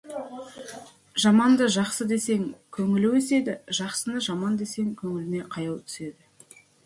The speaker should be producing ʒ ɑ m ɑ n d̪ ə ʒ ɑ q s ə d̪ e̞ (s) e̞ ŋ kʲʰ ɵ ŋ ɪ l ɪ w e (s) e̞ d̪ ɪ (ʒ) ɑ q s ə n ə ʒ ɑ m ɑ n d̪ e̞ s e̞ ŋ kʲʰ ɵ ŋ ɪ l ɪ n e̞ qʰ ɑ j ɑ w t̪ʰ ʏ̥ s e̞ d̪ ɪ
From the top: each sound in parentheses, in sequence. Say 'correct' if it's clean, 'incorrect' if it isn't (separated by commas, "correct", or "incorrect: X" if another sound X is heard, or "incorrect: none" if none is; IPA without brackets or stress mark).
correct, correct, correct